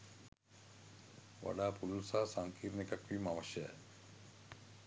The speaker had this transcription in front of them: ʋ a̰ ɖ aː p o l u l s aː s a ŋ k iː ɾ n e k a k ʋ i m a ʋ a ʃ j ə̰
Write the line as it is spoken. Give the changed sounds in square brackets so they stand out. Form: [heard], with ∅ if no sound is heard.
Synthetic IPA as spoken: ʋ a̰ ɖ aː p [u] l u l s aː s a ŋ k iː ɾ n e k a k ʋ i m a ʋ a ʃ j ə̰

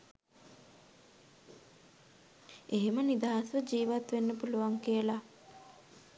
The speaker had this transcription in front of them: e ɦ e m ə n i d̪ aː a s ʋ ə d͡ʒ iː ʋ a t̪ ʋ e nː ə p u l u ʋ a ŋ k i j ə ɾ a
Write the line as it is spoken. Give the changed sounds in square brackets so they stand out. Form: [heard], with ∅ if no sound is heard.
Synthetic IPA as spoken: e ɦ e m ə n i d̪ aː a s ʋ ə d͡ʒ iː ʋ a t̪ ʋ e nː ə p u l u ʋ a ŋ k i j ə [l] a

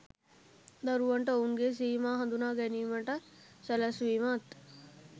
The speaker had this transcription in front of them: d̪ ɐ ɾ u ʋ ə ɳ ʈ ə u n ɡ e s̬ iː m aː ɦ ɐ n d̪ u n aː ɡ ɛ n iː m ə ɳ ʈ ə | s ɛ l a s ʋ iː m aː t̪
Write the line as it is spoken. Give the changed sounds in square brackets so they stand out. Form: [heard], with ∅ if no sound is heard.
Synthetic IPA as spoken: d̪ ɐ ɾ u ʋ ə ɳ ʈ ə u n ɡ e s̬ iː m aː ɦ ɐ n d̪ u n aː ɡ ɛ n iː m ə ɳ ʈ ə | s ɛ l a s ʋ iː m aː t̪

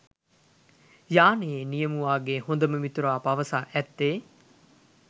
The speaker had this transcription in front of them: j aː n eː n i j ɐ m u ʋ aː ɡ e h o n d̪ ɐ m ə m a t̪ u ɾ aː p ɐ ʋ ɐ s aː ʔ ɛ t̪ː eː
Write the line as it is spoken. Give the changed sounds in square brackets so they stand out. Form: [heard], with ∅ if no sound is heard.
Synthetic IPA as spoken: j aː n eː n i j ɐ m u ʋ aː ɡ e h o n d̪ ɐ m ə m [i] t̪ u ɾ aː p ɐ ʋ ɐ s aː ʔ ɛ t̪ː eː

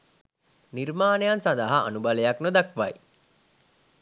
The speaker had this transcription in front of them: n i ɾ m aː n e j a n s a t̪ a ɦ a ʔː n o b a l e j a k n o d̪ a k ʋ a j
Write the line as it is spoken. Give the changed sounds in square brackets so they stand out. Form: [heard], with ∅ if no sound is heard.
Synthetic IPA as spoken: n i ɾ m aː n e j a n s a [d̪] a ɦ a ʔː n [u] b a l e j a k n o d̪ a k ʋ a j

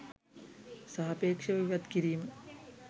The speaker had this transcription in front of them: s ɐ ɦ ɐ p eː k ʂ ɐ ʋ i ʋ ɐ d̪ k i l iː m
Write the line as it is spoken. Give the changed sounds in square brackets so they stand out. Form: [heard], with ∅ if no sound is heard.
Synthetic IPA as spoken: s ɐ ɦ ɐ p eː k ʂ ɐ ʋ i ʋ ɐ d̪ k i [ɾ] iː m

